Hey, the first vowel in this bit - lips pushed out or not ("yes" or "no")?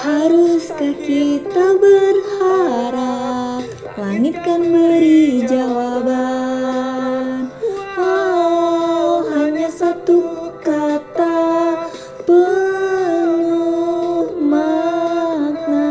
no